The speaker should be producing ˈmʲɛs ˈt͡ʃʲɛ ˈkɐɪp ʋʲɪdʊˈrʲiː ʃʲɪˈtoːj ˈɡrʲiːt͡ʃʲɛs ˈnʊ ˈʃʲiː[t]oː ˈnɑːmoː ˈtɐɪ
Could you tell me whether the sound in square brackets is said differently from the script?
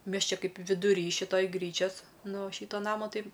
no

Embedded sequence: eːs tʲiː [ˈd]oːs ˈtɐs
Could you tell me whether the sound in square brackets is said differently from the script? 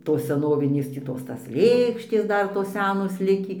yes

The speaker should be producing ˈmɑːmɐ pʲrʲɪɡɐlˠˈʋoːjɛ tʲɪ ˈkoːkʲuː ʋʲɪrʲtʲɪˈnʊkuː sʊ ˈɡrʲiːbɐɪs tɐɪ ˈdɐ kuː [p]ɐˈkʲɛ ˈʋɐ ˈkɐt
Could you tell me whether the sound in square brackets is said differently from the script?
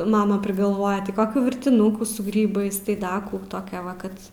yes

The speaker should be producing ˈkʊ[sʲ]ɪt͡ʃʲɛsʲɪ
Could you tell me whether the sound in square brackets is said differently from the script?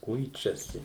yes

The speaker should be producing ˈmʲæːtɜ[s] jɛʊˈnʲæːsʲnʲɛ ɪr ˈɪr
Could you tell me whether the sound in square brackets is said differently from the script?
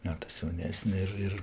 no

